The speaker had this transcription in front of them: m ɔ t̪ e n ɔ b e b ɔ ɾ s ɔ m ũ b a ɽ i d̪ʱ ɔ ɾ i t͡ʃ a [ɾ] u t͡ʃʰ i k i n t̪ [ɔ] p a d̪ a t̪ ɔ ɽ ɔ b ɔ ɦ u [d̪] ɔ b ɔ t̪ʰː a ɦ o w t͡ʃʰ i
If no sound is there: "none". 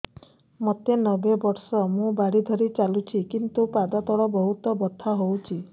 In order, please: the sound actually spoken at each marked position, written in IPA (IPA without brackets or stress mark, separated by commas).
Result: l, u, t̪